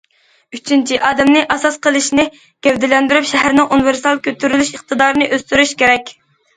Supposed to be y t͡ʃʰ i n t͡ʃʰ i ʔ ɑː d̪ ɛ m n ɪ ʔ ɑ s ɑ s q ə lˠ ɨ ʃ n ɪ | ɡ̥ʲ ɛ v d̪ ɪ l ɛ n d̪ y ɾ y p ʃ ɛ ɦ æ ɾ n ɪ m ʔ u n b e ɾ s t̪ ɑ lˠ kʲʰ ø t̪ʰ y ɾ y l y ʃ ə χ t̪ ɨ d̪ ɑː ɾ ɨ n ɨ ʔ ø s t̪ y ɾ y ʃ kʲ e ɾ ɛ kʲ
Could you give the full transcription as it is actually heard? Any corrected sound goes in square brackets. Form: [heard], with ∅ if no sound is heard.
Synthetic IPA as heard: y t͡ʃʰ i n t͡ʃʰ i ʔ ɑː d̪ ɛ m n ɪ ʔ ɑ s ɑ s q ə lˠ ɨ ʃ n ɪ | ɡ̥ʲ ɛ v d̪ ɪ l ɛ n d̪ y ɾ y p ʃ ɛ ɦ æ ɾ n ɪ [ŋ] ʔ u n [v] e ɾ s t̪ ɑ lˠ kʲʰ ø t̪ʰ y ɾ y l y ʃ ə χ t̪ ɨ d̪ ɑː ɾ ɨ n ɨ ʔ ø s t̪ y ɾ y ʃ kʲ e ɾ ɛ kʲ